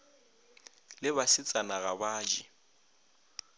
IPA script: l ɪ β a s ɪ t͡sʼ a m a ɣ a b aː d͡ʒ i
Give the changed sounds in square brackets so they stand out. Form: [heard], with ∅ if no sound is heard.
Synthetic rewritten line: l ɪ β a s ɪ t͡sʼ a [n] a ɣ a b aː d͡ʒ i